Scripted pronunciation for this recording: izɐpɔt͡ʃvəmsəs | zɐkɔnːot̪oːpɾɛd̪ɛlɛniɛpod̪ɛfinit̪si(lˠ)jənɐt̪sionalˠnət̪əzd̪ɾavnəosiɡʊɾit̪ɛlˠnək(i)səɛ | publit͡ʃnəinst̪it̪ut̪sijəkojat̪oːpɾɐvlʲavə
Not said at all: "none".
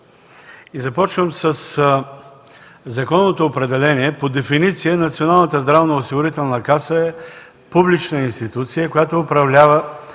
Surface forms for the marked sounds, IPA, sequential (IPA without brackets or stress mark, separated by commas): none, a